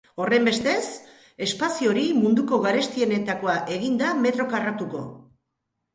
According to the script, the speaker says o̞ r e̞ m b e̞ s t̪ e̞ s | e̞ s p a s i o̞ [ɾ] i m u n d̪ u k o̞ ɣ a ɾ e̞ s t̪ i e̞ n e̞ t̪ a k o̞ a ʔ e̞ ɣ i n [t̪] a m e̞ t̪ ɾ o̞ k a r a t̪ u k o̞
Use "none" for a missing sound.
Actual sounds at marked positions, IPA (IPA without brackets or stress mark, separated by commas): ɾ, d̪